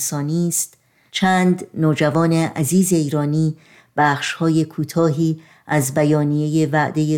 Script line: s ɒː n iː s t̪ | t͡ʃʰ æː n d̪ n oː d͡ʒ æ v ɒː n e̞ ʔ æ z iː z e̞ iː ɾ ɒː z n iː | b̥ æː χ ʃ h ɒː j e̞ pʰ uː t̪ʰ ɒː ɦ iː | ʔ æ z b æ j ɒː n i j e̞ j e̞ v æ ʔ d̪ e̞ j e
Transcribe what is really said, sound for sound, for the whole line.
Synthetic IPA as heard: s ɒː n iː s t̪ | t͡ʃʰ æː n d̪ n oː d͡ʒ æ v ɒː n e̞ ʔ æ z iː z e̞ iː ɾ ɒː n iː | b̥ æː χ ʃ h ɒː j e̞ kʰ uː t̪ʰ ɒː ɦ iː | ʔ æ z b æ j ɒː n i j e̞ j e̞ v æ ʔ d̪ e̞ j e